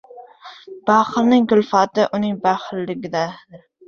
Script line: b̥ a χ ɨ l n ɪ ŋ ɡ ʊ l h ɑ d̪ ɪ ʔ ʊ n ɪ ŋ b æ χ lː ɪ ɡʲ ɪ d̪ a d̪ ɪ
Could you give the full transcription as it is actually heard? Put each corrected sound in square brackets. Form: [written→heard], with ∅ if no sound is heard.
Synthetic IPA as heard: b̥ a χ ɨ l n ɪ ŋ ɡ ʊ l [h→f] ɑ [d̪→t̪] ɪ ʔ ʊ n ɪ ŋ b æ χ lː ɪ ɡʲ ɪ d̪ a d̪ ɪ

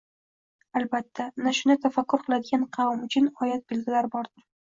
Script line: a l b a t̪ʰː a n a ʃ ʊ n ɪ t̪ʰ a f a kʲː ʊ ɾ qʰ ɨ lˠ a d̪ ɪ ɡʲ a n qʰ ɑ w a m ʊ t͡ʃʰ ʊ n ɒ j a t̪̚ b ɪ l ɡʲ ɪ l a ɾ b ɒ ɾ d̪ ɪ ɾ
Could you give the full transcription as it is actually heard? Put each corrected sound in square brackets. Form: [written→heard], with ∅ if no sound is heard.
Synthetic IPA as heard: a l b a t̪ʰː a n a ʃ ʊ n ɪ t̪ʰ a f a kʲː ʊ ɾ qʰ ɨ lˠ a d̪ ɪ ɡʲ a n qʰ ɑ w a m ʊ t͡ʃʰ ʊ n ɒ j a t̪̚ b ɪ l ɡʲ ɪ l a ɾ b ɒ ɾ d̪ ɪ ɾ

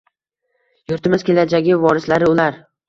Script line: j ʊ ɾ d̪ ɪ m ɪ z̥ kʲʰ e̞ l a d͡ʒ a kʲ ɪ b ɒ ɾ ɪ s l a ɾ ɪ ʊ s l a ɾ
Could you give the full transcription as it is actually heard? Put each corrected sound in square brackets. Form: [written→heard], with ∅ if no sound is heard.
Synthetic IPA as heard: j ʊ ɾ [d̪→t̪] ɪ m ɪ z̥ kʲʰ e̞ l a d͡ʒ a [kʲ→ɡʲ] ɪ [b→v] ɒ ɾ ɪ s l a ɾ ɪ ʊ [s→∅] l a ɾ

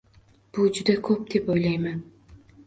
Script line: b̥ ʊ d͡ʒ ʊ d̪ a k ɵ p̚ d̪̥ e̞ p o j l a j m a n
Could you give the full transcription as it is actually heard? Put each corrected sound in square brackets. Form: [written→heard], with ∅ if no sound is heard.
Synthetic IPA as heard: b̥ ʊ d͡ʒ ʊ d̪ a [k→kʰ] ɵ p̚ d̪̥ e̞ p o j l a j m a n

